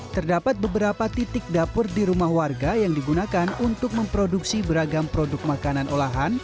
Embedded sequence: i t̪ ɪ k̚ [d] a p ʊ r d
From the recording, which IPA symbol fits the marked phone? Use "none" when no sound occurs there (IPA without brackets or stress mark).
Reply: d